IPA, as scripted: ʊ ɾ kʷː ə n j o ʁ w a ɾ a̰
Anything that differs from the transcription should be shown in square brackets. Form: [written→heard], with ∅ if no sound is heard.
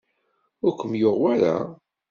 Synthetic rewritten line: ʊ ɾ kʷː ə [n→m] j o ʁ w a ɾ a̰